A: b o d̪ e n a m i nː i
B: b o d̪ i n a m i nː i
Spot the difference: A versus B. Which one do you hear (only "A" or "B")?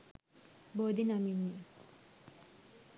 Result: B